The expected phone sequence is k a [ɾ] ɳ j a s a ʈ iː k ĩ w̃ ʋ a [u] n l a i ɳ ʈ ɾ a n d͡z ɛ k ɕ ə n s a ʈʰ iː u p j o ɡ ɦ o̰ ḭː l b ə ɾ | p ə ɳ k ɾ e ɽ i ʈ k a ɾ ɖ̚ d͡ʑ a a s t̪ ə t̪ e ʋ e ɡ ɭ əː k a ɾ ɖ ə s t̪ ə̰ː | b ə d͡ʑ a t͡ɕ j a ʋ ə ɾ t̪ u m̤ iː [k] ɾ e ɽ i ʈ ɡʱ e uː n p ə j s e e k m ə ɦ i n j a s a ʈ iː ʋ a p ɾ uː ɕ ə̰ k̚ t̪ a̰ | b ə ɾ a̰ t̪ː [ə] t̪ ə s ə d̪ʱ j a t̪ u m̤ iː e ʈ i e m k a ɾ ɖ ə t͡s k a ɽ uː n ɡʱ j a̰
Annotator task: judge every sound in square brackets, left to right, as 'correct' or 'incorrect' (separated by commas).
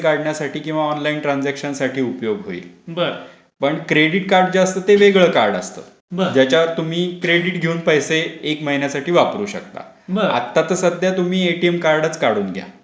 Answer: incorrect, incorrect, correct, incorrect